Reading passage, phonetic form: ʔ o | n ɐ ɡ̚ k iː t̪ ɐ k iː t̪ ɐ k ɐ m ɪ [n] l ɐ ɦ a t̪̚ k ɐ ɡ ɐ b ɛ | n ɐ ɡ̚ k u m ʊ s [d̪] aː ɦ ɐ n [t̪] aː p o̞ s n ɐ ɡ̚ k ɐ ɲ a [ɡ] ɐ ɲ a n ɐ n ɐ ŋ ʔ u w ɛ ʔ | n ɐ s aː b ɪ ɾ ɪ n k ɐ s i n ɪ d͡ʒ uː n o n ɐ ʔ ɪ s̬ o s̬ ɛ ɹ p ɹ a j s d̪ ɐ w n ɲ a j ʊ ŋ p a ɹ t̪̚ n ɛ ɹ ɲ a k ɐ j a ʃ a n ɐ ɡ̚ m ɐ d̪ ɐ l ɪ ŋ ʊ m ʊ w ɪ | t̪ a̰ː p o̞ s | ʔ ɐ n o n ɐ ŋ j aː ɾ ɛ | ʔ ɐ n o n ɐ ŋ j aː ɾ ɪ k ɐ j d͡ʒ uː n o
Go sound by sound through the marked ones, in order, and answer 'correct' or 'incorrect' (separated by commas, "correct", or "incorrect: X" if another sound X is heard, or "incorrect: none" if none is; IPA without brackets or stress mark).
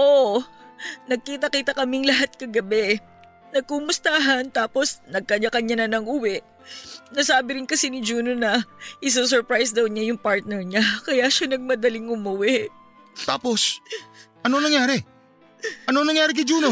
incorrect: ŋ, incorrect: t̪, correct, incorrect: k